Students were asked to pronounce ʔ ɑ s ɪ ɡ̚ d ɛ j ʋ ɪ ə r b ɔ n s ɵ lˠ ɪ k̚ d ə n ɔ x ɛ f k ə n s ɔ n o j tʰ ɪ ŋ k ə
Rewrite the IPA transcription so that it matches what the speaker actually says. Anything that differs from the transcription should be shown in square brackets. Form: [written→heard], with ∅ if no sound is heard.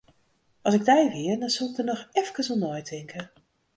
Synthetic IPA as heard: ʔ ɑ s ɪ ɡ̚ d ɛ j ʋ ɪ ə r [b→d] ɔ n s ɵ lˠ ɪ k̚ d ə n ɔ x ɛ f k ə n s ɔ n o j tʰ ɪ ŋ k ə